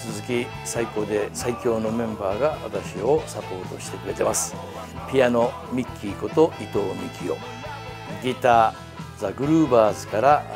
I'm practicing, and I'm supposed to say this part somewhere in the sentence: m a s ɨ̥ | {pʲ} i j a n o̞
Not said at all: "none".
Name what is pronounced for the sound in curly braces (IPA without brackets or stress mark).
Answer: pʲ